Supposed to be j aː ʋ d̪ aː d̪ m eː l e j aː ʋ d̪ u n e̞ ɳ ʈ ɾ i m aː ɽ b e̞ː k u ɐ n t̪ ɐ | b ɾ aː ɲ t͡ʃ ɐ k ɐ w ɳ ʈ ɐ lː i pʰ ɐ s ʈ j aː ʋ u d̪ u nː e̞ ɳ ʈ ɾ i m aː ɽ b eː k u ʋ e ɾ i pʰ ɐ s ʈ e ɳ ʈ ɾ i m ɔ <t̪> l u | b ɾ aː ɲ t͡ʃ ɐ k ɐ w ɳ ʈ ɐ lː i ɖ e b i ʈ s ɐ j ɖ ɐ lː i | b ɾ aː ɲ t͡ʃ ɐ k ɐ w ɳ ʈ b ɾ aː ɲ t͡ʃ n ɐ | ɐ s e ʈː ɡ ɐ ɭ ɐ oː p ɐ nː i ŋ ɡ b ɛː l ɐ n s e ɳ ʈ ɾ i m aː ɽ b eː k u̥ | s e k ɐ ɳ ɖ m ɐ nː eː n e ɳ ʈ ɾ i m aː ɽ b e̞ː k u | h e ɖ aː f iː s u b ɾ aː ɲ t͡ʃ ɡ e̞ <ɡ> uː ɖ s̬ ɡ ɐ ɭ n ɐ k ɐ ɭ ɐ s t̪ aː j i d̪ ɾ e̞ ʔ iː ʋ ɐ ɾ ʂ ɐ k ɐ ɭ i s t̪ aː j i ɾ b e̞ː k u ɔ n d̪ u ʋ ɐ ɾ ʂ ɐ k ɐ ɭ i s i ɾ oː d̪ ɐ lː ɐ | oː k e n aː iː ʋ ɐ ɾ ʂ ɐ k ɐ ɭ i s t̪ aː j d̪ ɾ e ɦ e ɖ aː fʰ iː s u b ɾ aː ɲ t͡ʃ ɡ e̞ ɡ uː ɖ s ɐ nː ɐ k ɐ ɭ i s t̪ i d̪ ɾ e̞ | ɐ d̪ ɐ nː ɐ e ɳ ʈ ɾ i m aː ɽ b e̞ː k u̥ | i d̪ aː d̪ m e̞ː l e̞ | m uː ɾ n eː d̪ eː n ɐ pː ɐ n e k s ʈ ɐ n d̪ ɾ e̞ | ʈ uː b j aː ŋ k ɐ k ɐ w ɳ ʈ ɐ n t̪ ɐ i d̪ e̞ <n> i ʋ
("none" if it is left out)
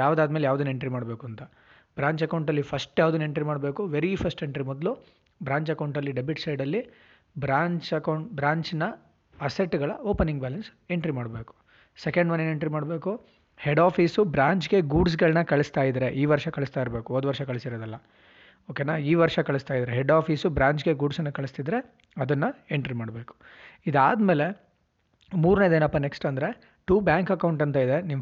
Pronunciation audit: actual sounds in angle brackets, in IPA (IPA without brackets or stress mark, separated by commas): d̪, ɡ, n